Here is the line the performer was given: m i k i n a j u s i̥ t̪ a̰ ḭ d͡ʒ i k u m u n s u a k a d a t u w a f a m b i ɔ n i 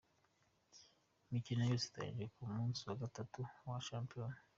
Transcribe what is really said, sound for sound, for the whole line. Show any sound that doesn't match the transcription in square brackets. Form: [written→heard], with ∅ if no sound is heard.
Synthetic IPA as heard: m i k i n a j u s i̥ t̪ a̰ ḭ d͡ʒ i k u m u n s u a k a [d→t] a t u w a [f→ʃ] a m [b→p] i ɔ n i